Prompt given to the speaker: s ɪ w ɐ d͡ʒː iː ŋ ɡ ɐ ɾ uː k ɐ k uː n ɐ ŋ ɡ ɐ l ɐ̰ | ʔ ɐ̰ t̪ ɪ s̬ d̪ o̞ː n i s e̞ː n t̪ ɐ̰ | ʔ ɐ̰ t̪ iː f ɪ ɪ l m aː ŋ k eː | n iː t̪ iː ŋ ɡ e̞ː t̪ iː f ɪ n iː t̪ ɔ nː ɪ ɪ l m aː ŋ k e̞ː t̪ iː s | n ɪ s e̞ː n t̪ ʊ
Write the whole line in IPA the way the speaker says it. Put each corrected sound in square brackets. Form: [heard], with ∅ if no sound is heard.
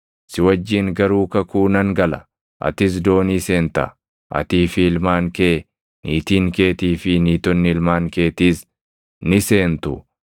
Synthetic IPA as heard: s ɪ w ɐ d͡ʒː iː ŋ ɡ ɐ ɾ uː k ɐ k uː n ɐ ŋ ɡ ɐ l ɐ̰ | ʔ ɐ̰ t̪ ɪ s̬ d̪ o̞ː n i s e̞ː n t̪ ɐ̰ | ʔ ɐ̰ t̪ iː f ɪ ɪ l m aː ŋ k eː | n iː t̪ iː ŋ [k] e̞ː t̪ iː f ɪ n iː t̪ ɔ nː ɪ ɪ l m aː ŋ k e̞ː t̪ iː s | n ɪ s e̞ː n t̪ ʊ